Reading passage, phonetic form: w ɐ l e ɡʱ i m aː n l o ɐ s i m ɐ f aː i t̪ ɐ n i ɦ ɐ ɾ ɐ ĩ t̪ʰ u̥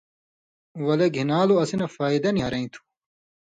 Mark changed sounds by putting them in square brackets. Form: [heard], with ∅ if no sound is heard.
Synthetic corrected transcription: w ɐ l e ɡʱ i [n] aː [∅] l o ɐ s i [n] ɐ f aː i [d̪] ɐ n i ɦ ɐ ɾ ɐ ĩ t̪ʰ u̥